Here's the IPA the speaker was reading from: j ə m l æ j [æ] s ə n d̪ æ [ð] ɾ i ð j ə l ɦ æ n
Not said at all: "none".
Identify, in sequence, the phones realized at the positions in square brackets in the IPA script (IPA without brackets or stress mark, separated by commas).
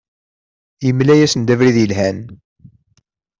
æ, v